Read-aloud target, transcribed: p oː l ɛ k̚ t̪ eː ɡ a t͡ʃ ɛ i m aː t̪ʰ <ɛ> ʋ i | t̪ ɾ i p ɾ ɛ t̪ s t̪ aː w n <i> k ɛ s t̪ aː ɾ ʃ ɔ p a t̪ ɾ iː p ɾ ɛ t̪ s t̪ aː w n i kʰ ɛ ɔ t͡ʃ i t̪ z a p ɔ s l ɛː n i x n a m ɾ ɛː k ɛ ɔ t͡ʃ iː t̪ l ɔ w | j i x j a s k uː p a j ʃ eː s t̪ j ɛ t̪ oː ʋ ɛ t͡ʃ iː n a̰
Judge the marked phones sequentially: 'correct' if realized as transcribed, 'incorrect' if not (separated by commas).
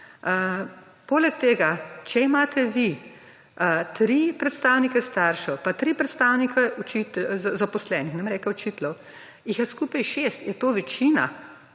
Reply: correct, correct